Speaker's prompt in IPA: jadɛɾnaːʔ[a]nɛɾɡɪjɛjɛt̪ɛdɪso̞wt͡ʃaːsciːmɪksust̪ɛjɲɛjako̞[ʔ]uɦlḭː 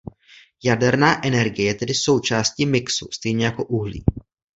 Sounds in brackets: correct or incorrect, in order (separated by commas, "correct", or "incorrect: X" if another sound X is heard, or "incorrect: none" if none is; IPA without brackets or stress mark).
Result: incorrect: ɛ, correct